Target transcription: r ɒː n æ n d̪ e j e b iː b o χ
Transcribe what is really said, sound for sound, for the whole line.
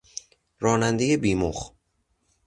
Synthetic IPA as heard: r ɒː n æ n d̪ e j e b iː m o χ